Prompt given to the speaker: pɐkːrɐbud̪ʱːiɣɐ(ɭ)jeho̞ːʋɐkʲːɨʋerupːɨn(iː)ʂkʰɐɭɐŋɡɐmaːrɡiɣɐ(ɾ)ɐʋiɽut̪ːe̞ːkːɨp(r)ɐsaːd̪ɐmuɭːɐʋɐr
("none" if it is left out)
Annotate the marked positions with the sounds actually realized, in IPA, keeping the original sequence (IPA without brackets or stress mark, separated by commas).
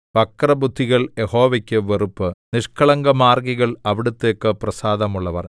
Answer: ɭ, i, ɭ, r